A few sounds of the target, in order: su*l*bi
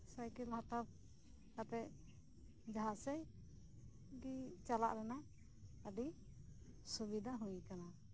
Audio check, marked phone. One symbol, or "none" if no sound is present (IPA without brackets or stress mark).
none